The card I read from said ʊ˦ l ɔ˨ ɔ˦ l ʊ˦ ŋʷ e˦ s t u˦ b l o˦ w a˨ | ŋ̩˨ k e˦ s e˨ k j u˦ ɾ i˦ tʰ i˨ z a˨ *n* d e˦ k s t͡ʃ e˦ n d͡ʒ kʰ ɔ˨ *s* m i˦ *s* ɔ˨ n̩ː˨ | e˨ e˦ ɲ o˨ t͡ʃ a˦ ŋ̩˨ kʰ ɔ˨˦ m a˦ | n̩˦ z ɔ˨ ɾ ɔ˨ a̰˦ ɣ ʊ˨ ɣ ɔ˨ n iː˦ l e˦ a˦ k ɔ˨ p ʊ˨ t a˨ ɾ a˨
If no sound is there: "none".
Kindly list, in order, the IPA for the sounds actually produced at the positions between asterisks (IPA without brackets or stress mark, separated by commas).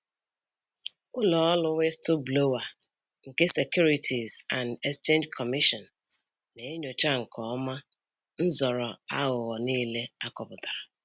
n, none, ʃ